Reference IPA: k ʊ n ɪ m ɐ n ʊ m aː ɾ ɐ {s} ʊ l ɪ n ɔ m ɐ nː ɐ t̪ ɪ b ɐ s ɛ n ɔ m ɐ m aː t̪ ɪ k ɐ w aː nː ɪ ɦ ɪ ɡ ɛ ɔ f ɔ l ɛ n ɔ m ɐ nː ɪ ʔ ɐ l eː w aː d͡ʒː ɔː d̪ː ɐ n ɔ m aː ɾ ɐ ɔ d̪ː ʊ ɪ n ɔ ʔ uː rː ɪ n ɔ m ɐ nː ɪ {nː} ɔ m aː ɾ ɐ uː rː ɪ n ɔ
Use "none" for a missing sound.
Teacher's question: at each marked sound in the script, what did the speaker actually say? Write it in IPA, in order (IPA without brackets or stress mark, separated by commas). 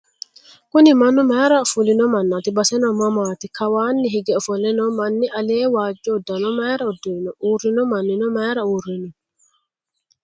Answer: f, n